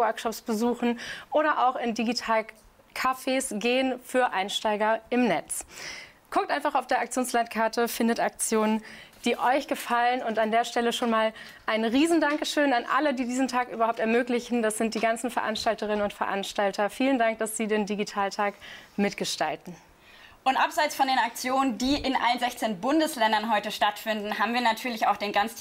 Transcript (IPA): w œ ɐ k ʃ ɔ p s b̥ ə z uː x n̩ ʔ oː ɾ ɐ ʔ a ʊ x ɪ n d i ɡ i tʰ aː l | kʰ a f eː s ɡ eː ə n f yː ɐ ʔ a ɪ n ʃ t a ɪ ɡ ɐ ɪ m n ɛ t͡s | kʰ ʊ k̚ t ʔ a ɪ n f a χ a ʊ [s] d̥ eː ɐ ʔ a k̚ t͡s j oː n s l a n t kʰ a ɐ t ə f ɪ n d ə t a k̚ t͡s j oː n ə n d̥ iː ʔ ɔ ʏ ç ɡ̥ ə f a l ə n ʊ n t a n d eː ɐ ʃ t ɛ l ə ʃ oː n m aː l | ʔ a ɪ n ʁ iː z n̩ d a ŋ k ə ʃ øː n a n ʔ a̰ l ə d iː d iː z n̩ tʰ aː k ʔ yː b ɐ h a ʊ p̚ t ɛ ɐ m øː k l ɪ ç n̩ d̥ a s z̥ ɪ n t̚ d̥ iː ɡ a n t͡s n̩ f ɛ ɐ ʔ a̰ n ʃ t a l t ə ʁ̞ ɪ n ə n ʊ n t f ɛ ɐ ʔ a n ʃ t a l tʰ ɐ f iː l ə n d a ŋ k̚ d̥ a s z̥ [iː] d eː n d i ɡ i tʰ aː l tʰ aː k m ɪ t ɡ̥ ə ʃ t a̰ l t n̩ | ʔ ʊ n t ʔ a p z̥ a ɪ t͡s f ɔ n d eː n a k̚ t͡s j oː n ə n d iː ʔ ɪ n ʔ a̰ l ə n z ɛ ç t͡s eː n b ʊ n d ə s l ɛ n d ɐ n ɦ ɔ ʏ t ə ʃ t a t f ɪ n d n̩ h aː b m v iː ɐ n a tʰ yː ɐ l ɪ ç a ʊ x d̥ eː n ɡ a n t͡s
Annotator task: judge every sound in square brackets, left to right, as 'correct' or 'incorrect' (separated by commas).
incorrect, correct